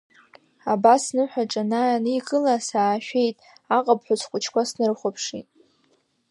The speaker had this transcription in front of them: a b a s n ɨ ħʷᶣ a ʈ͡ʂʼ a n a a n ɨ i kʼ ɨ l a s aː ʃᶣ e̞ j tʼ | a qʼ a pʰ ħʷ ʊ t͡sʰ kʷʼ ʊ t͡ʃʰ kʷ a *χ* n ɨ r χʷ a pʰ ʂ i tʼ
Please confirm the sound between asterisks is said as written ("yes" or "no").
no